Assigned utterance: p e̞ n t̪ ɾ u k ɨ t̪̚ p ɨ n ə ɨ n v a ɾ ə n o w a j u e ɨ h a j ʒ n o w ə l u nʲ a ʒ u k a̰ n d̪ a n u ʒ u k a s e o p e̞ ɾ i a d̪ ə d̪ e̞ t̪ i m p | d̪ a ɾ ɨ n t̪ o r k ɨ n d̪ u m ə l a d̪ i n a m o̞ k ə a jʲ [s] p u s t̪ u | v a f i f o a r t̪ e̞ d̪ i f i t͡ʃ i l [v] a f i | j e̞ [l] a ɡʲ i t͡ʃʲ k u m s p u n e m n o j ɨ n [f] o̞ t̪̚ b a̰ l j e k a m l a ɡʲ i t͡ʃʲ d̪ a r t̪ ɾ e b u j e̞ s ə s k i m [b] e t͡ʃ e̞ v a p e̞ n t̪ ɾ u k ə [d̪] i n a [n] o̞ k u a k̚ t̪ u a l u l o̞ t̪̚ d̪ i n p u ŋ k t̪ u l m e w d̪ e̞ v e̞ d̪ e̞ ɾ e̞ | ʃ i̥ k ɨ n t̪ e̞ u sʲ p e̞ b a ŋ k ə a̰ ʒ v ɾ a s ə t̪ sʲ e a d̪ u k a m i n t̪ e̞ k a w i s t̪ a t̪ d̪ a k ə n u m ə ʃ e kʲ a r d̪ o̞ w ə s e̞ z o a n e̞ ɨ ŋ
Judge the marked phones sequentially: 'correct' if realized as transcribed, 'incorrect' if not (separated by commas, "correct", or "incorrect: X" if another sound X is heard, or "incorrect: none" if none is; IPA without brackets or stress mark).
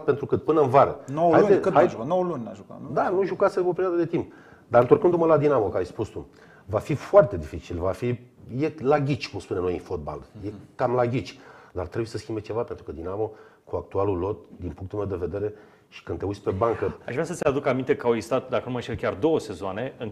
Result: correct, correct, correct, correct, correct, correct, incorrect: m